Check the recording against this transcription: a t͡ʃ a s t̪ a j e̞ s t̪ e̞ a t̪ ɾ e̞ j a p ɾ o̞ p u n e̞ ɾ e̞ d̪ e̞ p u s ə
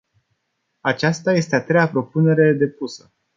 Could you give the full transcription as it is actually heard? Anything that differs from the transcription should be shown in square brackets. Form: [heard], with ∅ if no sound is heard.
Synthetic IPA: a t͡ʃ a s t̪ a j e̞ s t̪ e̞ a t̪ ɾ e̞ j a p ɾ o̞ p u n e̞ ɾ e̞ d̪ e̞ p u s ə